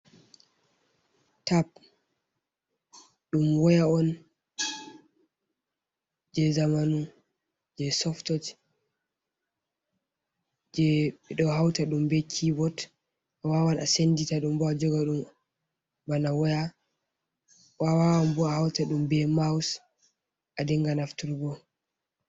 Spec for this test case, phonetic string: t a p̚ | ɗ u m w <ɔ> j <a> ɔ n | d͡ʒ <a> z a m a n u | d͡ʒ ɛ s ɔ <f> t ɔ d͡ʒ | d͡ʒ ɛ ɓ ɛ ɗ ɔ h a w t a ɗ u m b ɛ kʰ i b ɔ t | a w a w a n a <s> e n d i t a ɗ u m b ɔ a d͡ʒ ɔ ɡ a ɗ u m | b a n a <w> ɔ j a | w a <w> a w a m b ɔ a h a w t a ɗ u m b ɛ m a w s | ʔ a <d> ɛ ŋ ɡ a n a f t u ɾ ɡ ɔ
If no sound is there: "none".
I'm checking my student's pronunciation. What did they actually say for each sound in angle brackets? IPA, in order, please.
ɔ, a, ɛ, f, s, w, w, d

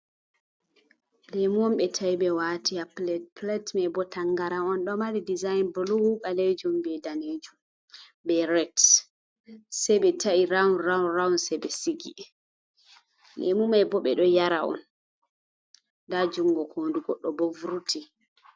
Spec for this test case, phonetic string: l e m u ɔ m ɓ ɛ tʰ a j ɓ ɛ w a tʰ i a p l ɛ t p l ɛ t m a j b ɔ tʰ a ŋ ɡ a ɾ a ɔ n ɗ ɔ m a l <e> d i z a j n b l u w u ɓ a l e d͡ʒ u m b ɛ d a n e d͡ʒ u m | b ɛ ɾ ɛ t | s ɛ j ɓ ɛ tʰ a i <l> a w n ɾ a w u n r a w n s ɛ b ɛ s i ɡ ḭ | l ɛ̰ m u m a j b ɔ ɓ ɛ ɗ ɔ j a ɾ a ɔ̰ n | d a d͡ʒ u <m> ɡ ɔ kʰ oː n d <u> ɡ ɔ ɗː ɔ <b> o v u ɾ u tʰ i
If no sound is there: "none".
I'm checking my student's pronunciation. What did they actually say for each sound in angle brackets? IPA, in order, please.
i, ɾ, ŋ, u, b

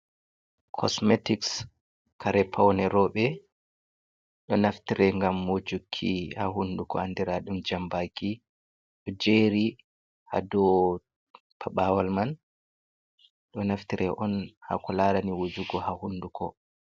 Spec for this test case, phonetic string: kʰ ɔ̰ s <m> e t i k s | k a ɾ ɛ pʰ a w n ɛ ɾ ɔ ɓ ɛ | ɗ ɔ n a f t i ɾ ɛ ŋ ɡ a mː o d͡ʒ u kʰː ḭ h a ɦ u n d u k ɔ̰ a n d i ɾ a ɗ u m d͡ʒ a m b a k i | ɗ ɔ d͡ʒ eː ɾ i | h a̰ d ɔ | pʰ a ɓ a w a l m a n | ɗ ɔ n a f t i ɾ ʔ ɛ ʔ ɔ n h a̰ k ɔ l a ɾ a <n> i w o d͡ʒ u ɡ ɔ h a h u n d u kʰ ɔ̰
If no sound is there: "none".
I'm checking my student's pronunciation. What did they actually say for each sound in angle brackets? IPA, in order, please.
m, n

